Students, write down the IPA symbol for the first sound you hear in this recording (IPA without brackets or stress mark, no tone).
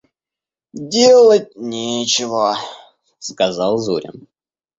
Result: dʲ